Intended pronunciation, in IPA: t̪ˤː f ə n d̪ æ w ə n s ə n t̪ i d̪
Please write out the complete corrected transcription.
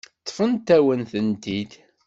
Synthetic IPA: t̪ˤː f ə n t̪ æ w ə n θ ə n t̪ i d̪